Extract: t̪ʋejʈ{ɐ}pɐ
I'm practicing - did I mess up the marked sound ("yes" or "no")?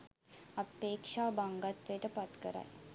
yes